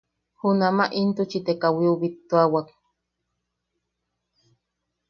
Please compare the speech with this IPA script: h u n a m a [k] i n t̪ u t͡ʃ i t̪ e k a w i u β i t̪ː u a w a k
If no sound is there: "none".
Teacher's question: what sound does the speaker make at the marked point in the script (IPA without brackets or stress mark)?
ʔ